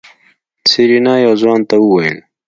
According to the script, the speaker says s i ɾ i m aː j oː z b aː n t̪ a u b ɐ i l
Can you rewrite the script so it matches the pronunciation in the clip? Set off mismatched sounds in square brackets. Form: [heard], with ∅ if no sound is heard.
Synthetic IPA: s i ɾ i [n] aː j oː z [w] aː n t̪ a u [w] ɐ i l